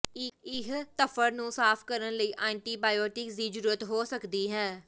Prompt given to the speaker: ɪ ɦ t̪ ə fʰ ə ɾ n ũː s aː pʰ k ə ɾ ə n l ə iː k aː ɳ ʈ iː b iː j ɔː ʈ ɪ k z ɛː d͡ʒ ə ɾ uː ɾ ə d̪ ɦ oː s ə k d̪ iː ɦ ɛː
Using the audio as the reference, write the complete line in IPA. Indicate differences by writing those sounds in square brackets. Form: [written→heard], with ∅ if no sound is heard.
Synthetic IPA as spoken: ɪ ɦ t̪ ə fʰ ə ɾ n ũː s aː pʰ k ə ɾ ə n l ə iː [k→ʔ] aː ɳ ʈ iː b [iː→aː] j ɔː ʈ ɪ k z [ɛː→iː] d͡ʒ ə ɾ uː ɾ ə [d̪→t̪] ɦ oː s ə k d̪ iː ɦ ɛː